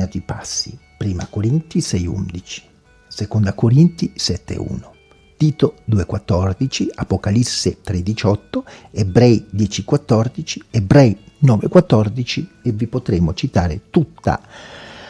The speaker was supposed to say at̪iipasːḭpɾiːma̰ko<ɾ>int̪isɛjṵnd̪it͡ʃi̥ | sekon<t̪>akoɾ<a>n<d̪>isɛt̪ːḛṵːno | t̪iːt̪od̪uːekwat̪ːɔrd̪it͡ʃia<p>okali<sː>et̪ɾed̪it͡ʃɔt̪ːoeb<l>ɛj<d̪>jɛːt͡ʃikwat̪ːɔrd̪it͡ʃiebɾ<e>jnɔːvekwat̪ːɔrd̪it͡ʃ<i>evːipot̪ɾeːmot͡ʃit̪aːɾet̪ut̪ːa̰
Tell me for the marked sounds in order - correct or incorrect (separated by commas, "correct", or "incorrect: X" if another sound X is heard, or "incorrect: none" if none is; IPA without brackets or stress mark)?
correct, incorrect: d̪, incorrect: i, incorrect: t̪, correct, correct, incorrect: ɾ, correct, incorrect: ɛ, correct